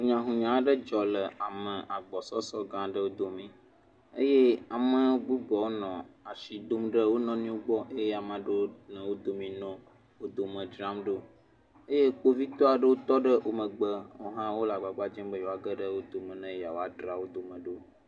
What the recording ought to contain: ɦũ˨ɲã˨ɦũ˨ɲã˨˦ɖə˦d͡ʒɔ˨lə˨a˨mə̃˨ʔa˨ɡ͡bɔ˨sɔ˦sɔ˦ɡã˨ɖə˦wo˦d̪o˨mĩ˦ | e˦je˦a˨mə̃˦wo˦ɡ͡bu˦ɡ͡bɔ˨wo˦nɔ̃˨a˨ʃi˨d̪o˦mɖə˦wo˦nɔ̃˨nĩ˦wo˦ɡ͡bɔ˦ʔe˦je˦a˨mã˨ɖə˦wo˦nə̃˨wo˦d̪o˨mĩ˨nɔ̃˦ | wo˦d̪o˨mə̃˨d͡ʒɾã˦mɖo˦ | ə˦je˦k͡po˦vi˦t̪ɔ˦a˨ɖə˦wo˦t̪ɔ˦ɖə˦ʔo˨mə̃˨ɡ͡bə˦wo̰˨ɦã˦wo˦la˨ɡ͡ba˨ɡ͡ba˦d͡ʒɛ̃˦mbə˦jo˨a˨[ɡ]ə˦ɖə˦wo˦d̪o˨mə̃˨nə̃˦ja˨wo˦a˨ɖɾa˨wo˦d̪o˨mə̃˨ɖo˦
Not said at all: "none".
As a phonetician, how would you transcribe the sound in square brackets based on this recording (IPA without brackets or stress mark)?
ɡ